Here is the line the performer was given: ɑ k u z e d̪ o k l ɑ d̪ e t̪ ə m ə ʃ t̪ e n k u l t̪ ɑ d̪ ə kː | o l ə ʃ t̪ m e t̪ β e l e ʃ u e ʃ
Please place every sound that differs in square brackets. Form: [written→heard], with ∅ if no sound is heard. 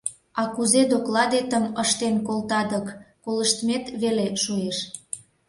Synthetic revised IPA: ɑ k u z e d̪ o k l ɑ d̪ e t̪ ə m ə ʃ t̪ e n k [u→o] l t̪ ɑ d̪ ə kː | o l ə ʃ t̪ m e t̪ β e l e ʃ u e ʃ